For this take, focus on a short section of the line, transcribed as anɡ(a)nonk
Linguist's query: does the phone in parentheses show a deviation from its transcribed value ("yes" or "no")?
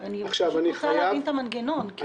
yes